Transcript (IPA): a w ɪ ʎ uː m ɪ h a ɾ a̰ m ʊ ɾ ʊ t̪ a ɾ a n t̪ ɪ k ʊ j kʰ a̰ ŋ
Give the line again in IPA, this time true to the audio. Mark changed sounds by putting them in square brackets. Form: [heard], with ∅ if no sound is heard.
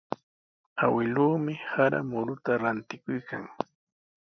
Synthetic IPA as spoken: a w ɪ [l] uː m ɪ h a ɾ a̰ m ʊ ɾ ʊ t̪ a ɾ a n t̪ ɪ k ʊ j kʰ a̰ ŋ